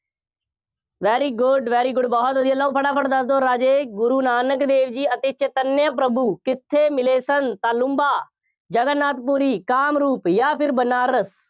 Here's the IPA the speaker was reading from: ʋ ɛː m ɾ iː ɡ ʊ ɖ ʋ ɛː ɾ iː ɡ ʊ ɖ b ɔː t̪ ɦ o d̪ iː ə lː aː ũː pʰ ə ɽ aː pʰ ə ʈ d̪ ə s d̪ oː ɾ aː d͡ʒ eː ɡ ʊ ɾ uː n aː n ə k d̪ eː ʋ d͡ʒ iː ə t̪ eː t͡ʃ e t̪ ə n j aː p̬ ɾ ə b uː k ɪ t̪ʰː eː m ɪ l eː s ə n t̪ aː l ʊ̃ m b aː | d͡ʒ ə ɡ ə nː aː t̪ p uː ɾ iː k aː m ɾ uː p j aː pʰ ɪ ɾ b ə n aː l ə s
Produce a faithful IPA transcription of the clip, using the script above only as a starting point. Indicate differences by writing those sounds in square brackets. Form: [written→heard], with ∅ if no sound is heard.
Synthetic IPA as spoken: ʋ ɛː [m→∅] ɾ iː ɡ ʊ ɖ ʋ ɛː ɾ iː ɡ ʊ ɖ b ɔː t̪ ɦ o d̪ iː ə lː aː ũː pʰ ə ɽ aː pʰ ə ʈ d̪ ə s d̪ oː ɾ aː d͡ʒ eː ɡ ʊ ɾ uː n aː n ə k d̪ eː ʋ d͡ʒ iː ə t̪ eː t͡ʃ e t̪ ə n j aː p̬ ɾ ə b uː k ɪ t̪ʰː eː m ɪ l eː s ə n t̪ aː l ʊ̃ m b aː | d͡ʒ ə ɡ ə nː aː t̪ p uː ɾ iː k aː m ɾ uː p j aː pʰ ɪ ɾ b ə n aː [l→ɾ] ə s

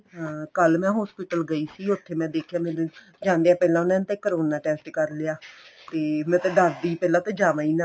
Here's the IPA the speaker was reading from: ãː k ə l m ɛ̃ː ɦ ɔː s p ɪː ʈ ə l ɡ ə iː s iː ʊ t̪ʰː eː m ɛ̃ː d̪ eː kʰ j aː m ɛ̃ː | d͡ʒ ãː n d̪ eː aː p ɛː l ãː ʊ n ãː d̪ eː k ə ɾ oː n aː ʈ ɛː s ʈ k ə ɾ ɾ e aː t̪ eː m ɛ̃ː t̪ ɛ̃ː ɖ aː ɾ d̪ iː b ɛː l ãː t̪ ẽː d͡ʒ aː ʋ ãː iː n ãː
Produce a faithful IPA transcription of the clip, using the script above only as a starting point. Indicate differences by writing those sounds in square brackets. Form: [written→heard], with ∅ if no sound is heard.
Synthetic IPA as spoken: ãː k ə l m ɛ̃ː ɦ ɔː s p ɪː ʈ ə l ɡ ə iː s iː ʊ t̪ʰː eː m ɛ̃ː d̪ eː kʰ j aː m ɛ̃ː | d͡ʒ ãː n d̪ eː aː p ɛː l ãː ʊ n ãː [d̪→t̪] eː k ə ɾ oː n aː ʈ ɛː s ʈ k ə ɾ [ɾ→l] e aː t̪ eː m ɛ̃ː t̪ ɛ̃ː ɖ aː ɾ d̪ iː [b→p] ɛː l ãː t̪ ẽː d͡ʒ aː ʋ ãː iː n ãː

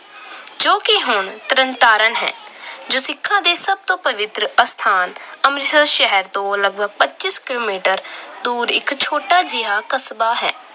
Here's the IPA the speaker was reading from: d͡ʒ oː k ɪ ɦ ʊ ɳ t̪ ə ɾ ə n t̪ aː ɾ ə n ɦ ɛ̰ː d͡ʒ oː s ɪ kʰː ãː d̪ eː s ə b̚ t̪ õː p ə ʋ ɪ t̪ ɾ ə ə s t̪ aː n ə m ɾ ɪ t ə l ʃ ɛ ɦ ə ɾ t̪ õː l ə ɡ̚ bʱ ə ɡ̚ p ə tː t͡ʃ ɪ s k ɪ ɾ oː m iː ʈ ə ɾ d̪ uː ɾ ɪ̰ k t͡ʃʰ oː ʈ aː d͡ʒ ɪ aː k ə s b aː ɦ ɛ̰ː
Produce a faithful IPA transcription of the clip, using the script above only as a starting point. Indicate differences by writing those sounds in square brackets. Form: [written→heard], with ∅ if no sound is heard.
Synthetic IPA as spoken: d͡ʒ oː k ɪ ɦ ʊ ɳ t̪ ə ɾ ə n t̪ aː ɾ ə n ɦ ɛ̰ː d͡ʒ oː s ɪ kʰː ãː d̪ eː s ə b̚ t̪ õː p ə ʋ ɪ t̪ ɾ ə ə s [t̪→t̪ʰ] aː n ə m ɾ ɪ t ə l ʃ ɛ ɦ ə ɾ t̪ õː l ə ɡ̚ bʱ ə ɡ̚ p ə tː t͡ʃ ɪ s k ɪ [ɾ→l] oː m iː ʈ ə ɾ d̪ uː ɾ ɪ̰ k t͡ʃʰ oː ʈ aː d͡ʒ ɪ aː k ə s b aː ɦ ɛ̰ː

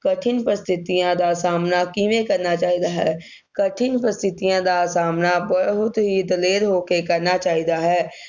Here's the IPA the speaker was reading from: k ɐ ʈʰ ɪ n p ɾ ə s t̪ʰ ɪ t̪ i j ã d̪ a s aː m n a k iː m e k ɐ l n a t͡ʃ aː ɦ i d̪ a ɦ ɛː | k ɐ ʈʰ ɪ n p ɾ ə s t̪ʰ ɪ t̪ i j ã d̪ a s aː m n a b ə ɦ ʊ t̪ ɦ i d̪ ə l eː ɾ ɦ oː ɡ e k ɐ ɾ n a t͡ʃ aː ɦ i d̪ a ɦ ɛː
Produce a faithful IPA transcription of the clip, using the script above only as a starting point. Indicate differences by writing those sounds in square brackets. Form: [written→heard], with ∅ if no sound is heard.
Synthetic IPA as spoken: k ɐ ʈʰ ɪ n p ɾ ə s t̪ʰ ɪ t̪ i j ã d̪ a s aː m n a k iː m e k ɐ [l→ɾ] n a t͡ʃ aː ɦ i d̪ a ɦ ɛː | k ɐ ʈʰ ɪ n p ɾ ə s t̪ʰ ɪ t̪ i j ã d̪ a s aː m n a b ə ɦ ʊ t̪ ɦ i d̪ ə l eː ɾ ɦ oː [ɡ→k] e k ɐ ɾ n a t͡ʃ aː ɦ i d̪ a ɦ ɛː

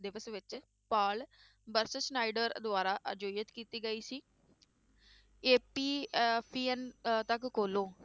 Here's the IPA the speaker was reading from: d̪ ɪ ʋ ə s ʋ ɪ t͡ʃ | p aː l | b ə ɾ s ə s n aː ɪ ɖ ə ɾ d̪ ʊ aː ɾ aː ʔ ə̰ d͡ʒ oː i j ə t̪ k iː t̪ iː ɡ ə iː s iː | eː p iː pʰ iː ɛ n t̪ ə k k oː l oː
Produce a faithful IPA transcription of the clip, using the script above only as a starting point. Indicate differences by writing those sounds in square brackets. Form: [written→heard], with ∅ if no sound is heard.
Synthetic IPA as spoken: d̪ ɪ ʋ ə s ʋ ɪ t͡ʃ | p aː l | b ə ɾ s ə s n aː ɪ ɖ ə ɾ d̪ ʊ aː ɾ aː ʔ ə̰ d͡ʒ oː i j ə t̪ k iː t̪ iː ɡ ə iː s iː | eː p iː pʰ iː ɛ n t̪ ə k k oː l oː

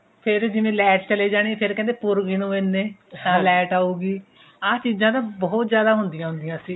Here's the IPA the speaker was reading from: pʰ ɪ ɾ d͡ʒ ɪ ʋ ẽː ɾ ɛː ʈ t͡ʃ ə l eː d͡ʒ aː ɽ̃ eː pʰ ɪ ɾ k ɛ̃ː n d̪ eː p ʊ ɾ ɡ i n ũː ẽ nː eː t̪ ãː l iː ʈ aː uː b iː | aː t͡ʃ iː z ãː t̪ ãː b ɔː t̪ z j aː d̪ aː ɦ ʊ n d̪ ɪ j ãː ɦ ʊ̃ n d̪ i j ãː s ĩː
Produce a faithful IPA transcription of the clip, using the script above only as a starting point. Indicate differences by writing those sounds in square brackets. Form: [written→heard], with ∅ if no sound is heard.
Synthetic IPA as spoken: pʰ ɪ ɾ d͡ʒ ɪ ʋ ẽː [ɾ→l] ɛː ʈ t͡ʃ ə l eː d͡ʒ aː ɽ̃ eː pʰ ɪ ɾ k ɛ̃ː n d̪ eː p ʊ ɾ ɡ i n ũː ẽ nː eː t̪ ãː l [iː→ɛː] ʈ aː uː [b→ɡ] iː | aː t͡ʃ iː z ãː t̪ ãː b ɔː t̪ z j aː d̪ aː ɦ ʊ n d̪ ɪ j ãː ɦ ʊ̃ n d̪ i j ãː s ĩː

